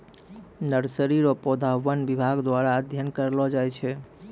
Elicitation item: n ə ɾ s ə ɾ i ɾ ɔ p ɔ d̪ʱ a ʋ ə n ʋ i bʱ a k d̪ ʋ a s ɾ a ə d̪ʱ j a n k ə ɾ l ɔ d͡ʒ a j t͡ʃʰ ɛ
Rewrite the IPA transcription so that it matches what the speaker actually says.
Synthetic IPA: n ə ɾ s ə ɾ i ɾ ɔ p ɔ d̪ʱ a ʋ ə n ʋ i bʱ a ɡ d̪ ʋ a ɾ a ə d̪ʱ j ə n k ə ɾ l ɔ d͡ʒ a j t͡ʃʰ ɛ